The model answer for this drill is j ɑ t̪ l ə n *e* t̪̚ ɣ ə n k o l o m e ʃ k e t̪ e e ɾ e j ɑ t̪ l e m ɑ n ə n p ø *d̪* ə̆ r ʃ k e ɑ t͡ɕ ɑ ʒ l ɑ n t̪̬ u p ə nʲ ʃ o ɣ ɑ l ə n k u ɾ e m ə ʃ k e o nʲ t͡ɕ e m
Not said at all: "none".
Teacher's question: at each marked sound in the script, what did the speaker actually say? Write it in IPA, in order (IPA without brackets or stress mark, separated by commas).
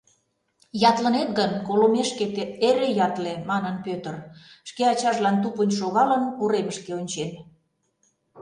e, t̪